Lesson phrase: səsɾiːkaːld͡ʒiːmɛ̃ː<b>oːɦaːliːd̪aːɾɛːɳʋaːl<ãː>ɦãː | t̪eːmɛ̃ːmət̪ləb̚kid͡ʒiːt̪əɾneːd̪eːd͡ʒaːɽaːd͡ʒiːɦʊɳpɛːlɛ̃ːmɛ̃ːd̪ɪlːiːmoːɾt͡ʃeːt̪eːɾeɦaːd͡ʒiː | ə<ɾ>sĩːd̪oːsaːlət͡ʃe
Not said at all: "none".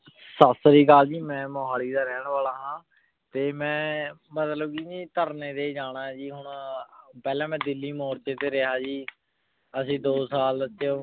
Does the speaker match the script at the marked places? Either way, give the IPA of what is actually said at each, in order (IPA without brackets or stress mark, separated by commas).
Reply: m, aː, none